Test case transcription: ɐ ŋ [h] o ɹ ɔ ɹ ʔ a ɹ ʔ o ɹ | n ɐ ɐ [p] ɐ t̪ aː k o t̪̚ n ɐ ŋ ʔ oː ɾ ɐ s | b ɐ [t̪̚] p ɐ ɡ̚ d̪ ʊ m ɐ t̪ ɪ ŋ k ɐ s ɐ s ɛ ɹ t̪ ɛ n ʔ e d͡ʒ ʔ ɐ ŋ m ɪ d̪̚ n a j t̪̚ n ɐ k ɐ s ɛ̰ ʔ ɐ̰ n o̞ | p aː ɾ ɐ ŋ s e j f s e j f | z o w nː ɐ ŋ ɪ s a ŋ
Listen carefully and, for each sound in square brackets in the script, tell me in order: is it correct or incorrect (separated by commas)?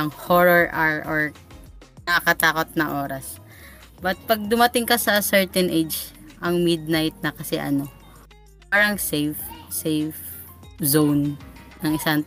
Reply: correct, incorrect, correct